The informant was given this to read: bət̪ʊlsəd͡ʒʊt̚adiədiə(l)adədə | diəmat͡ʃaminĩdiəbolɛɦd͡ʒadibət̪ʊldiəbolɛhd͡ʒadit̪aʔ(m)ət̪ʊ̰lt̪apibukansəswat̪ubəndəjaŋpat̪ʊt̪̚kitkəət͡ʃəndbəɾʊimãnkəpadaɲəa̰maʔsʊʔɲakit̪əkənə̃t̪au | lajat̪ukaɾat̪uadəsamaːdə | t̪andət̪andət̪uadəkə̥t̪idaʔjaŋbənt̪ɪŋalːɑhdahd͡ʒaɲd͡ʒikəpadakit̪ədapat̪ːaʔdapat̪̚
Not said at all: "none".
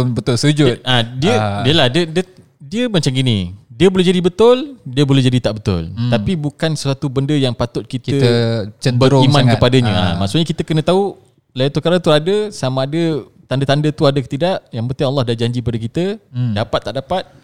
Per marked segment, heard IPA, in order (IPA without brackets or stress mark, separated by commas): l, b